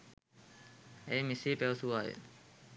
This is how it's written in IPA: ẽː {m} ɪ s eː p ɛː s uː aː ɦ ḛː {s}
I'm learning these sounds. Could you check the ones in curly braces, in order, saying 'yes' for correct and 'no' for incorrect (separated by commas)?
yes, no